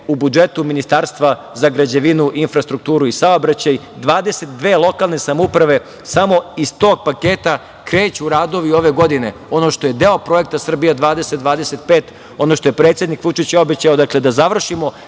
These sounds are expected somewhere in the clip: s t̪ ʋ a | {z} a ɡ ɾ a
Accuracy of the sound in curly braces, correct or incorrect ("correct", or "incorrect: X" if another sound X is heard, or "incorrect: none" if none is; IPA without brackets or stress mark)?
correct